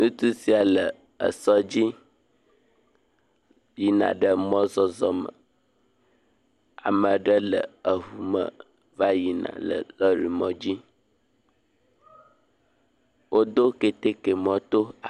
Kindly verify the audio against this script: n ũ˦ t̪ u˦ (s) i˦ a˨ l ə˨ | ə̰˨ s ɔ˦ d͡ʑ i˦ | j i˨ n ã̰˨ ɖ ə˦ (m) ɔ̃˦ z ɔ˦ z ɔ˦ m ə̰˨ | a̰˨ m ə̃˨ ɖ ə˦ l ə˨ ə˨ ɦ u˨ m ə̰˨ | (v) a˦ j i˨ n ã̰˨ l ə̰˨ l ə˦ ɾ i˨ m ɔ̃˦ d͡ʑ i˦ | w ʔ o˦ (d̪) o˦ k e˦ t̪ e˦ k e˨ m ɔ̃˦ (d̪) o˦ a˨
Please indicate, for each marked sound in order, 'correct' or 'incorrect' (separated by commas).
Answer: correct, correct, correct, correct, incorrect